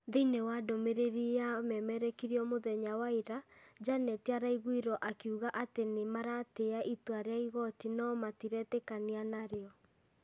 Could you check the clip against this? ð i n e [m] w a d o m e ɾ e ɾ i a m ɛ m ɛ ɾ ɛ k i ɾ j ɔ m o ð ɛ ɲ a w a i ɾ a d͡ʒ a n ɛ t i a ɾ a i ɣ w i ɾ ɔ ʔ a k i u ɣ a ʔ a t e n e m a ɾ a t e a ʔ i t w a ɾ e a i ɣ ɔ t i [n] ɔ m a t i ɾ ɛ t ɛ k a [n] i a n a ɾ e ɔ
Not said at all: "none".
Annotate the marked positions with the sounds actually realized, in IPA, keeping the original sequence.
none, n, n

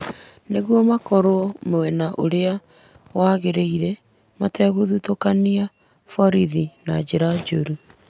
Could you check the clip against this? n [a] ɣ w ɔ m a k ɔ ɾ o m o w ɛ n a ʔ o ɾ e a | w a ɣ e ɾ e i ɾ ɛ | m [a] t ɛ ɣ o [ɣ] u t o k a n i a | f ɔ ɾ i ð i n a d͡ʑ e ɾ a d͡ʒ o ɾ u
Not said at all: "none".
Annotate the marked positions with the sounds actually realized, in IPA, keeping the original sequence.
e, a, ð

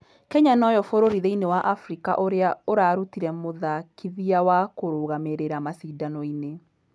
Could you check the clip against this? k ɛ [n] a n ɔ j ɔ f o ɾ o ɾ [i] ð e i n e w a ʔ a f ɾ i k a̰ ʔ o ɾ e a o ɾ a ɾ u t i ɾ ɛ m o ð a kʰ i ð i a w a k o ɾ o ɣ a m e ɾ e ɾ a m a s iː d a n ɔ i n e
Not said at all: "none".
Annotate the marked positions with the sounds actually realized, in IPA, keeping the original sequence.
ɲ, i

